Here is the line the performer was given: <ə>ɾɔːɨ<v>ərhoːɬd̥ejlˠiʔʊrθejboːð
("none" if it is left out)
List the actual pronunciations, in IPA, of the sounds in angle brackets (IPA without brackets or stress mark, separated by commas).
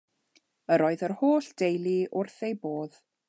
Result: ə, ð